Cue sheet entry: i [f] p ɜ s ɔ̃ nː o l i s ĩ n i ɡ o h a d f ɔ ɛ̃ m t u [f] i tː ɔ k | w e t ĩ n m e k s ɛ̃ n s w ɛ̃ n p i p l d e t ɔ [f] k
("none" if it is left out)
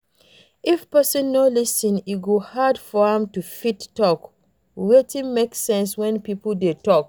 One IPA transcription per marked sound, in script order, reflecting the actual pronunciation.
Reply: f, f, none

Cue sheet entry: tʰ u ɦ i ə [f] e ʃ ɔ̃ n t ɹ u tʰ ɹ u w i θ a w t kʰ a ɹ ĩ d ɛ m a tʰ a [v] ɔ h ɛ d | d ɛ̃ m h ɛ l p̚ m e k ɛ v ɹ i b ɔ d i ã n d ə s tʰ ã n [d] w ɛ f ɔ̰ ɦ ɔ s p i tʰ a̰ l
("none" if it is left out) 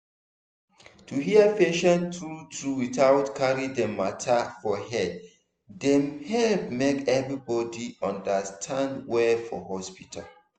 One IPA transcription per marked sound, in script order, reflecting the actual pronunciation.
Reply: f, f, d

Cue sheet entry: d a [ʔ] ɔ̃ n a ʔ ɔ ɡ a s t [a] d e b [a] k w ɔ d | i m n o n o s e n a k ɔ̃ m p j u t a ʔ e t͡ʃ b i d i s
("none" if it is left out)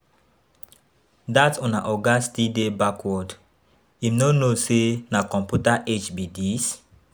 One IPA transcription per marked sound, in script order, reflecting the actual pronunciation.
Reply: t, i, a

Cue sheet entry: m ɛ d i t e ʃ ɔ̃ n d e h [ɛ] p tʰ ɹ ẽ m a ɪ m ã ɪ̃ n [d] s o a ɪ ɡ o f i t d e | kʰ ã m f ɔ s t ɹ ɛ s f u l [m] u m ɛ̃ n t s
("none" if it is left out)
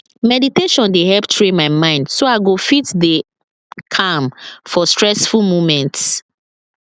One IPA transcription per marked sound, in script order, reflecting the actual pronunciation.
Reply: ɛ, d, m

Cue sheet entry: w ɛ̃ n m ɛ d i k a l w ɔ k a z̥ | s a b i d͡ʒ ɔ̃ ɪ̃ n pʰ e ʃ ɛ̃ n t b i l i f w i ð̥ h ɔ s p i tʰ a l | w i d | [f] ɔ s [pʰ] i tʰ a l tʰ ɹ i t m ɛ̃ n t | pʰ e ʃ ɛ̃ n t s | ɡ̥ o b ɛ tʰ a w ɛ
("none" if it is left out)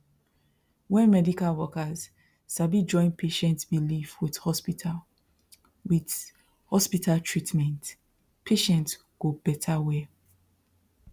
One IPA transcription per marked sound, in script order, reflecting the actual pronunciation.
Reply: h, p

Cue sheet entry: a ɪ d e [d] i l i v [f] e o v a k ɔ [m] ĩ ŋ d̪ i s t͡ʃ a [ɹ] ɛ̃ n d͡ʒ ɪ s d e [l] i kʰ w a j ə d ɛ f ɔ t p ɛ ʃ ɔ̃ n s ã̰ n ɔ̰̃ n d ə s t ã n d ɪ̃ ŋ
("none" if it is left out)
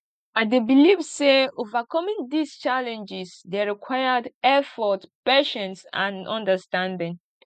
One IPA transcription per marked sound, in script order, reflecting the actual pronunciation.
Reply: b, s, m, l, ɹ

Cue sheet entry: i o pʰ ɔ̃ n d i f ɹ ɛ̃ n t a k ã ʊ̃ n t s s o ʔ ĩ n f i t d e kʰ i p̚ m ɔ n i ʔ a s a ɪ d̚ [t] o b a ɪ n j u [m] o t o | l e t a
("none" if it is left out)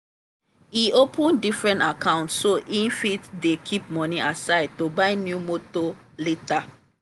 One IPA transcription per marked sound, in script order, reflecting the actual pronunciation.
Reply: t, m

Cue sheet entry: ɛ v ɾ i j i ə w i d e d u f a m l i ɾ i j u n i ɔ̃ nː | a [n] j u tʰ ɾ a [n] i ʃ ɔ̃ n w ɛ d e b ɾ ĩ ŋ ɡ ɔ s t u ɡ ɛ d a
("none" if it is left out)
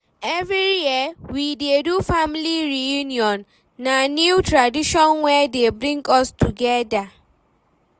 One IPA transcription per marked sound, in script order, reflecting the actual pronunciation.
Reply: n, d

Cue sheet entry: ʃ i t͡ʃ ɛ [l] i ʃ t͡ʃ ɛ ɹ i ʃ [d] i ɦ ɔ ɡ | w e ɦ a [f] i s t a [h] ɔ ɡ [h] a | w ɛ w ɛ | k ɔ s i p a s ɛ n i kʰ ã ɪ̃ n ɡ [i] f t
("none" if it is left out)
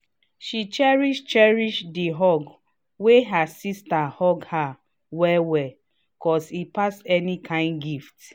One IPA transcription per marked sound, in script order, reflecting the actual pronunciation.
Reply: ɹ, d, s, h, h, i

